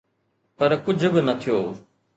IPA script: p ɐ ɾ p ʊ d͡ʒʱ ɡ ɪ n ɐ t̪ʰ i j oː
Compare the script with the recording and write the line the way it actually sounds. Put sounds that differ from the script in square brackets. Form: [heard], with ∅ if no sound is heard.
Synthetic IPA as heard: p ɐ ɾ [k] ʊ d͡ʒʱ [b] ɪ n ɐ t̪ʰ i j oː

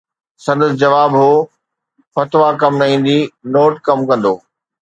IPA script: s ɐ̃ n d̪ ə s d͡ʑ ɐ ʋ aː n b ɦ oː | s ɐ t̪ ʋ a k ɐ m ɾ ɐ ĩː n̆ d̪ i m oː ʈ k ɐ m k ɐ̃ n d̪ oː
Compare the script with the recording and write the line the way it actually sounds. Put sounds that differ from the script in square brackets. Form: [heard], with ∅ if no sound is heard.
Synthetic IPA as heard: s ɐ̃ n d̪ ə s d͡ʑ ɐ ʋ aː [∅] b ɦ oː | [f] ɐ t̪ ʋ a k ɐ m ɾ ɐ ĩː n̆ d̪ i [n] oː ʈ k ɐ m k ɐ̃ n d̪ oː

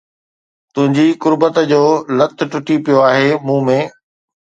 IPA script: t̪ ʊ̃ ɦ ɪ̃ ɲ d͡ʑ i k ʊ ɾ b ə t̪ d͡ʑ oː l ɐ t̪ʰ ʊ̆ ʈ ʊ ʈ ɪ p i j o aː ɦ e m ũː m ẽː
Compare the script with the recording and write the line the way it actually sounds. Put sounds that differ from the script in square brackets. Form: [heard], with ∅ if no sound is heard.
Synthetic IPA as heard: t̪ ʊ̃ ɦ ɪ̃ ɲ d͡ʑ i k ʊ ɾ b ə t̪ d͡ʑ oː l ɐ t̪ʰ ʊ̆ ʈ ʊ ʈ [i] p i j o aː ɦ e m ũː m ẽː

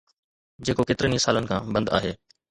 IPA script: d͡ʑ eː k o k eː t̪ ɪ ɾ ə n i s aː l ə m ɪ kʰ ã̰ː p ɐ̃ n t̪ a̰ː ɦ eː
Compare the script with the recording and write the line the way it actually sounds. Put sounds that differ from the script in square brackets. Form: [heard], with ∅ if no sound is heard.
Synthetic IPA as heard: d͡ʑ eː k o k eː t̪ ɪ ɾ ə n i s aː l ə [n] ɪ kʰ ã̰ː [b] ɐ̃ n [d̪] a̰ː ɦ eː

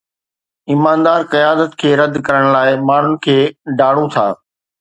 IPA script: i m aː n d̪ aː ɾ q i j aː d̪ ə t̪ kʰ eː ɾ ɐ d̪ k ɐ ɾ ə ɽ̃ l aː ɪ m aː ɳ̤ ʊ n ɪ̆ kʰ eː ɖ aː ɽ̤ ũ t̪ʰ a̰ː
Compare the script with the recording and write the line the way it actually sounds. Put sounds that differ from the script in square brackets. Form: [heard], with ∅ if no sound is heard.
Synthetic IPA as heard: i m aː n d̪ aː ɾ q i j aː d̪ ə t̪ kʰ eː ɾ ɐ d̪ k ɐ ɾ ə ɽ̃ l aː ɪ m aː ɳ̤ ʊ n ɪ̆ kʰ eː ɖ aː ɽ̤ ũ t̪ʰ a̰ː

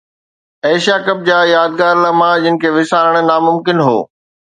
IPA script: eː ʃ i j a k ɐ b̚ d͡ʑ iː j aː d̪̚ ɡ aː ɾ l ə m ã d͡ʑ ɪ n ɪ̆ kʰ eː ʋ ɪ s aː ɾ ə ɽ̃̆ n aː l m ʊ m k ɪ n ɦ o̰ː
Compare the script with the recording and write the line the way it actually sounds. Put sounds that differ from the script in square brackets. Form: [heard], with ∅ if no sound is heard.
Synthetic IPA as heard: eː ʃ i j a k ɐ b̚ d͡ʑ [aː] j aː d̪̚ ɡ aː ɾ l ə m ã d͡ʑ ɪ n ɪ̆ kʰ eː ʋ ɪ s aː ɾ ə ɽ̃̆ n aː [∅] m ʊ m k ɪ n ɦ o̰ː

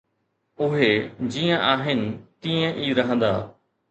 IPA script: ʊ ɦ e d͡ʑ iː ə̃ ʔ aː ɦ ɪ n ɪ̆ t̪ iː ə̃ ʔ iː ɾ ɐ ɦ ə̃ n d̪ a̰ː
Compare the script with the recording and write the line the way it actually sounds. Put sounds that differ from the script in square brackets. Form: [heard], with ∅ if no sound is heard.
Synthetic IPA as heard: ʊ ɦ e d͡ʑ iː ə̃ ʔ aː ɦ ɪ n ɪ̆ t̪ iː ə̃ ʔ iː ɾ ɐ ɦ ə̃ n d̪ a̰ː

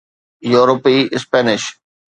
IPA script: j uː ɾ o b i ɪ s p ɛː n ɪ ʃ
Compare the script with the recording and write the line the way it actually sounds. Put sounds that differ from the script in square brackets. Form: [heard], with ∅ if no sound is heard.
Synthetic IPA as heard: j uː ɾ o [p] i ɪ s p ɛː n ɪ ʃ

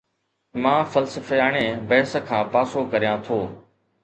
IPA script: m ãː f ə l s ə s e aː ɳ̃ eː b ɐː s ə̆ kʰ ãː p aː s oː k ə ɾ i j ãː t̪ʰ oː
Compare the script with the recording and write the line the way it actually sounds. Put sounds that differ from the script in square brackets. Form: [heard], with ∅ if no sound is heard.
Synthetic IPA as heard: m ãː f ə l s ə [f] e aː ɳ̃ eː b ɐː s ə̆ kʰ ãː p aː s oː k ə ɾ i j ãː t̪ʰ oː

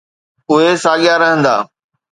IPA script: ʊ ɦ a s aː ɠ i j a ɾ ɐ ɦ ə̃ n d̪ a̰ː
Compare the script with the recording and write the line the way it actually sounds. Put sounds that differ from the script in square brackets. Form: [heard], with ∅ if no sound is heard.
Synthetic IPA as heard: ʊ ɦ [e] s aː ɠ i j a ɾ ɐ ɦ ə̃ n d̪ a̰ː

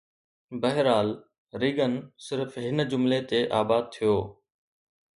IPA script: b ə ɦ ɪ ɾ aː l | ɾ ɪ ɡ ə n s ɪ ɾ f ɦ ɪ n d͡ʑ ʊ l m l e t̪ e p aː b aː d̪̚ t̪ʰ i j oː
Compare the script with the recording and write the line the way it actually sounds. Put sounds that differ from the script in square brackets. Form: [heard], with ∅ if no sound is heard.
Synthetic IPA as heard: b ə ɦ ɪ ɾ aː l | ɾ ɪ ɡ ə n s ɪ ɾ f ɦ ɪ n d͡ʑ ʊ [∅] m l e t̪ e [ʔ] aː b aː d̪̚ t̪ʰ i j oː

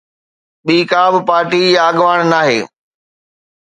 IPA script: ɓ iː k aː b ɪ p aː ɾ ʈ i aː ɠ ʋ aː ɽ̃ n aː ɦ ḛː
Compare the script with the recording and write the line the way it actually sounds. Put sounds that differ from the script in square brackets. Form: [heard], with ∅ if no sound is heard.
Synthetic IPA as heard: ɓ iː k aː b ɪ p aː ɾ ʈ i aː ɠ ʋ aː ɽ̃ n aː ɦ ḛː

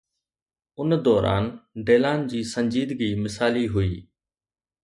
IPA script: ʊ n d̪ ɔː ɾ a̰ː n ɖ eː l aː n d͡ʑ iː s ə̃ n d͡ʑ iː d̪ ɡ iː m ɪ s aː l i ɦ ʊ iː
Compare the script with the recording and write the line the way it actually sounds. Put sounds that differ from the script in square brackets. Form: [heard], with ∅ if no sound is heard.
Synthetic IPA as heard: ʊ n d̪ ɔː ɾ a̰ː n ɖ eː l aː n d͡ʑ iː s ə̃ [ɲ] d͡ʑ iː d̪ ɡ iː m ɪ s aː l i ɦ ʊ iː

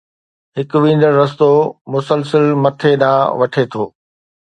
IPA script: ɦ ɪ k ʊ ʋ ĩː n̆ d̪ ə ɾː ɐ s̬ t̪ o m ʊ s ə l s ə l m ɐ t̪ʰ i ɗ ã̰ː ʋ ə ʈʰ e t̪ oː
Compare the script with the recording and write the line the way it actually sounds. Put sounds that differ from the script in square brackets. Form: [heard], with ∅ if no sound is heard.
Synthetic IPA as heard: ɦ ɪ k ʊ ʋ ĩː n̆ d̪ ə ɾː ɐ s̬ t̪ o m ʊ s ə l s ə l m ɐ t̪ʰ [e] ɗ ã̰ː ʋ [ɐ] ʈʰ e [t̪ʰ] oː

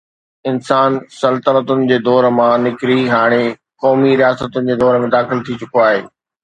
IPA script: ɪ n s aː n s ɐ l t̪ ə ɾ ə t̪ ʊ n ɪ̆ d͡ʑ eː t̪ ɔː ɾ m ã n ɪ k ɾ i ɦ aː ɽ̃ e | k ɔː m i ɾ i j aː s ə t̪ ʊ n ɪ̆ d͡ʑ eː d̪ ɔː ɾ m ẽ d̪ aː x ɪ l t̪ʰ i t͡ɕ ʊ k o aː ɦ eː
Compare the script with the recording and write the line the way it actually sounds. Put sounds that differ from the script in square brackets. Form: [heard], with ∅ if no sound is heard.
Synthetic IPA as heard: ɪ n s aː n s ɐ l t̪ ə ɾ ə t̪ ʊ n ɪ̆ d͡ʑ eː [d̪] ɔː ɾ m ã n ɪ k ɾ i ɦ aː ɽ̃ e | k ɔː m i ɾ i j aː s ə t̪ ʊ n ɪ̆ d͡ʑ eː d̪ ɔː ɾ m ẽ d̪ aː x ɪ l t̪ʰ i t͡ɕ ʊ k o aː ɦ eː

